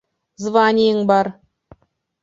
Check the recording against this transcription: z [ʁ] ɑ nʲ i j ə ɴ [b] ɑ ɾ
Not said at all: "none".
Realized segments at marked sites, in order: v, b

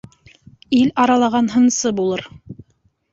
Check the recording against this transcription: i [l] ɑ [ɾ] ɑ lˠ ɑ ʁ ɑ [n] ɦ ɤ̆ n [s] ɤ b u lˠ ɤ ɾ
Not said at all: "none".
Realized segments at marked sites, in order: l, ɾ, n, s

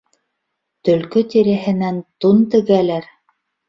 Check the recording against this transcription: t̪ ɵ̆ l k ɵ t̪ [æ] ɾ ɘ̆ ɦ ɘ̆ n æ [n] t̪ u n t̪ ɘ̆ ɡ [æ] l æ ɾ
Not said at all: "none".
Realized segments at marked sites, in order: i, n, æ

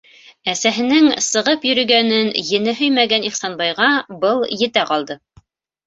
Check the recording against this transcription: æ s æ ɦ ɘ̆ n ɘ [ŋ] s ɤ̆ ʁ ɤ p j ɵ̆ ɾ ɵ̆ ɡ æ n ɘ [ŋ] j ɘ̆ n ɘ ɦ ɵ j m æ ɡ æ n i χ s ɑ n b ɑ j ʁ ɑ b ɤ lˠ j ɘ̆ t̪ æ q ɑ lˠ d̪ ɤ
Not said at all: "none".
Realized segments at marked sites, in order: ŋ, n

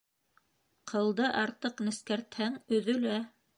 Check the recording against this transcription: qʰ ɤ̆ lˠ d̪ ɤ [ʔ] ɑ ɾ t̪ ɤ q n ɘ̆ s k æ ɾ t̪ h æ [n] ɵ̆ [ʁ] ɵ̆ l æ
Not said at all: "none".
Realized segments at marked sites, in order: ʔ, ŋ, ð

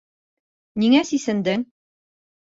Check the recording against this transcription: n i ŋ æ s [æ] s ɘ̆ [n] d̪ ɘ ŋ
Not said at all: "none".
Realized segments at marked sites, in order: i, n

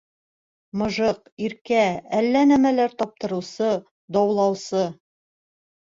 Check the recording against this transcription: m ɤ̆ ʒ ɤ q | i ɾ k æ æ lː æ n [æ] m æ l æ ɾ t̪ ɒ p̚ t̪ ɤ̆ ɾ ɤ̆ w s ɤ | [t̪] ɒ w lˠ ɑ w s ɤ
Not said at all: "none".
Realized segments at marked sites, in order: æ, d̪

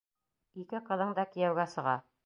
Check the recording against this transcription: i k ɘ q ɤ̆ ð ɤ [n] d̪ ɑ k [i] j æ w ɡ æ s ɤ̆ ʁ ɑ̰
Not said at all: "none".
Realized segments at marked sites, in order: ɴ, i

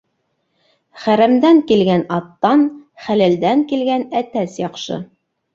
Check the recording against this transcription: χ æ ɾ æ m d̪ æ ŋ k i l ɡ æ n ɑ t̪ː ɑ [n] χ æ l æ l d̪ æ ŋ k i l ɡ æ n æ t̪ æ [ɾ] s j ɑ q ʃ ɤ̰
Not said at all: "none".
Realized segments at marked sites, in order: n, none

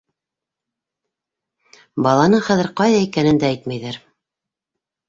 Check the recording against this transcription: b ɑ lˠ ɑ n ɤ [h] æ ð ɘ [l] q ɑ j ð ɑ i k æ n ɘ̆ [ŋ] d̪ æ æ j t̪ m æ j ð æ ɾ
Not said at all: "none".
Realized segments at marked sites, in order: χ, ɾ, n

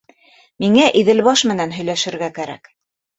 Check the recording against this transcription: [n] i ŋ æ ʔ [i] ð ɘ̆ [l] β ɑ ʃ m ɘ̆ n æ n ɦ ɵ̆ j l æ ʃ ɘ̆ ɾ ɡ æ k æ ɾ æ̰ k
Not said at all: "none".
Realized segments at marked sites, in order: m, i, l

